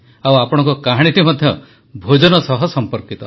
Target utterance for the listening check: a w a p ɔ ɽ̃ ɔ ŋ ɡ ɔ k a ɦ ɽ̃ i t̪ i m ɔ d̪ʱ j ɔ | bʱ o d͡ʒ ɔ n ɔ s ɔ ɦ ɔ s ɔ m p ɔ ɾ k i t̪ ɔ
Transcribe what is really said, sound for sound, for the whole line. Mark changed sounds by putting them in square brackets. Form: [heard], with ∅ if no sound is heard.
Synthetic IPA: a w a p ɔ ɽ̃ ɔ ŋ [k] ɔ k a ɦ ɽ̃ i t̪ i m ɔ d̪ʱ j ɔ | bʱ o d͡ʒ ɔ n ɔ s ɔ ɦ ɔ s ɔ m p ɔ ɾ k i t̪ ɔ